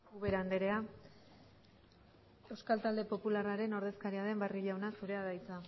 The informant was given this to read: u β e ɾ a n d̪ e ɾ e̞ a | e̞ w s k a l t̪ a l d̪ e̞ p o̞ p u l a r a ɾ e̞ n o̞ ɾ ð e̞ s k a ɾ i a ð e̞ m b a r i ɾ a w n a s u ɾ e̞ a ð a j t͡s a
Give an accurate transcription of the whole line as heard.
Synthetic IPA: u β e ɾ a n d̪ e ɾ e̞ a | e̞ w s k a l t̪ a l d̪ e̞ p o̞ p u l a r a ɾ e̞ n o̞ ɾ ð e̞ s k a ɾ i a ð e̞ m b a r i ʎ a w n a s u ɾ e̞ a ð a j t͡s a